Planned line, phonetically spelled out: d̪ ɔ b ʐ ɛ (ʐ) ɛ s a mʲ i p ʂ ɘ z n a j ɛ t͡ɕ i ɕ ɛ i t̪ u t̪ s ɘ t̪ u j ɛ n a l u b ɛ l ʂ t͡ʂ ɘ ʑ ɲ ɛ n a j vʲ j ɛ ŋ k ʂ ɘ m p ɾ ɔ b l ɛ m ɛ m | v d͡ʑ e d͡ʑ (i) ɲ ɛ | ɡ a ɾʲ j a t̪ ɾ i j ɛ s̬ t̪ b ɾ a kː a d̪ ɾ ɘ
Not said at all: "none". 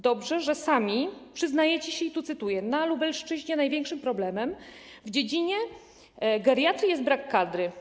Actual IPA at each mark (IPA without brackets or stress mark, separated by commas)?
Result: ʐ, i